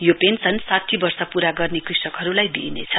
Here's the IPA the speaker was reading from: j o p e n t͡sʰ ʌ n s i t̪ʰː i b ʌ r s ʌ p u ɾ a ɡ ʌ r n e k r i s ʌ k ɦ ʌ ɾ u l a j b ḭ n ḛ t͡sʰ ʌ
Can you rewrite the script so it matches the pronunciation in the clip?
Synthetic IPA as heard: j o p e n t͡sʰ ʌ n s a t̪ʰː i b ʌ r s ʌ p u ɾ a ɡ ʌ r n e k r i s ʌ k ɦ ʌ ɾ u l a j b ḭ n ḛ t͡sʰ ʌ